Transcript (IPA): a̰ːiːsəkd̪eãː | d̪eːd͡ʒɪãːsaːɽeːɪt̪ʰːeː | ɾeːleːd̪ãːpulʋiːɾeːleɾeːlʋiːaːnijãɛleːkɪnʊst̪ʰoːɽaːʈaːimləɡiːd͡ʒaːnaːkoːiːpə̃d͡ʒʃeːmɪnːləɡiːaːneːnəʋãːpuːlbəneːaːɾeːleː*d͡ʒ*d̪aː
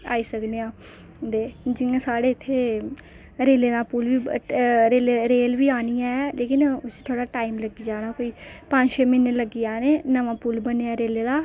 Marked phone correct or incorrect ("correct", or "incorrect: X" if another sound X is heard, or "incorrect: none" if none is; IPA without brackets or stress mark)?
incorrect: none